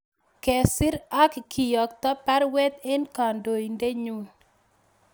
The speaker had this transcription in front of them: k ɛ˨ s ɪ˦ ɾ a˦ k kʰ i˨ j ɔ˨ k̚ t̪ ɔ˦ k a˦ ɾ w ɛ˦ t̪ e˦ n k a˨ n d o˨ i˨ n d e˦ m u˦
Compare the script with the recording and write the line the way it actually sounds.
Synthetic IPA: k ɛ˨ s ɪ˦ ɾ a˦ k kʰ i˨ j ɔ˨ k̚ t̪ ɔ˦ p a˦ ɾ w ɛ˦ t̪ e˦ n k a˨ n d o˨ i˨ n d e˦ ɲ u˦